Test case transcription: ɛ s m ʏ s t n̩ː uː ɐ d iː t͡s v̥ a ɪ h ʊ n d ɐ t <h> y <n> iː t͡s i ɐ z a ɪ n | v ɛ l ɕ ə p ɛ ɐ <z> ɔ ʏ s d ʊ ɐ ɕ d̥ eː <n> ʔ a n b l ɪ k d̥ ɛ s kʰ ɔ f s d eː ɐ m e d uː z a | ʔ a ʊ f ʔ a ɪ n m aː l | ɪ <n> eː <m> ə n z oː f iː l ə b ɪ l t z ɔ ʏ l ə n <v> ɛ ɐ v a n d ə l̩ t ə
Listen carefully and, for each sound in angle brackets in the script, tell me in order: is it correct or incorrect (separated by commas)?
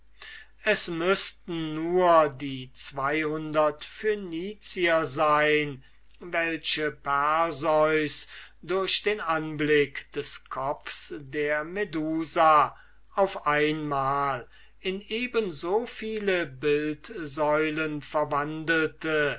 incorrect, correct, correct, correct, correct, incorrect, incorrect